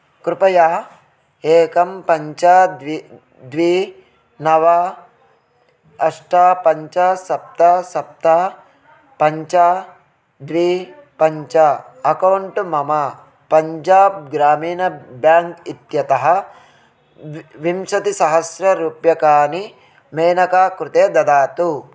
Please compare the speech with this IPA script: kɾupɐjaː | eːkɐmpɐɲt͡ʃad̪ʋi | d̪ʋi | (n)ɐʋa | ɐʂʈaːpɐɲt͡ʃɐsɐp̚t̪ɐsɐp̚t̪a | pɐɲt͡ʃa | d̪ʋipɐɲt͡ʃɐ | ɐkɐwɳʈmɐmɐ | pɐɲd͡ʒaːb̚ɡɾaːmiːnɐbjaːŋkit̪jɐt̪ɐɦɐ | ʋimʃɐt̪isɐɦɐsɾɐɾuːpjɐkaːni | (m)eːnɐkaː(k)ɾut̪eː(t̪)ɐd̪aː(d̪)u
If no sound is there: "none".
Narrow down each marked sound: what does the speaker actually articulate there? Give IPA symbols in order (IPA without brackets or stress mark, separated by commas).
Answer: n, m, k, d̪, t̪